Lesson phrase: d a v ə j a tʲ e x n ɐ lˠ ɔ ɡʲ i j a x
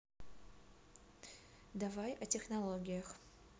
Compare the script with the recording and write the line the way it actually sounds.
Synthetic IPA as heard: d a v a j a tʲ e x n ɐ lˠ o ɡʲ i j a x